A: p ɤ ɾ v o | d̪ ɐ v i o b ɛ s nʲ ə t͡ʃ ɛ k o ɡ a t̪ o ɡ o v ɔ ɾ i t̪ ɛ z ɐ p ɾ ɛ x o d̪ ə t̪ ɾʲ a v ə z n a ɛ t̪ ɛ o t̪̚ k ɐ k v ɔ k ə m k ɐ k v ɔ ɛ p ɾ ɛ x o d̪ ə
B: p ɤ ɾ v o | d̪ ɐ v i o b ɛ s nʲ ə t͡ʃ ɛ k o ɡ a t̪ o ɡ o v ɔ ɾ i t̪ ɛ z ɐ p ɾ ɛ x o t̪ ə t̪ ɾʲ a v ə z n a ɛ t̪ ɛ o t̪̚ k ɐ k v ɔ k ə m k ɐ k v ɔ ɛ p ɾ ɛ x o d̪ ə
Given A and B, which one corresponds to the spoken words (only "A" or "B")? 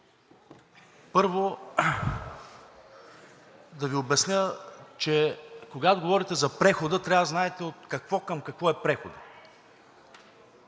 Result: A